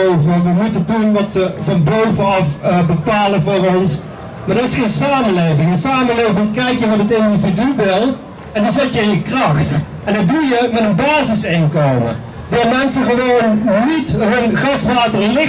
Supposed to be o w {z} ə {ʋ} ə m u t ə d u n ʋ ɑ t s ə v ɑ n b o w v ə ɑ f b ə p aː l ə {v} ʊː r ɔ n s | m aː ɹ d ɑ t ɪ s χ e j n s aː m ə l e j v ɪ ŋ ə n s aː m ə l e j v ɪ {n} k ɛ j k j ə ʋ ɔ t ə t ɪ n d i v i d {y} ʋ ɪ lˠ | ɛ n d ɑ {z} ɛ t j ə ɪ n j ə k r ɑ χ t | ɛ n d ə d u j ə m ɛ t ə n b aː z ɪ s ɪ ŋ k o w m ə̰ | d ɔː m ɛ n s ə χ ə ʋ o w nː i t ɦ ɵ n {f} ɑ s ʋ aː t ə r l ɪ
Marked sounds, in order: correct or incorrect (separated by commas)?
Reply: incorrect, correct, correct, incorrect, correct, correct, incorrect